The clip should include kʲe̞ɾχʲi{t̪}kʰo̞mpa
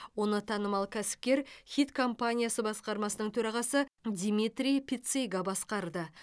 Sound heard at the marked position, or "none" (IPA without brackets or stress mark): t̪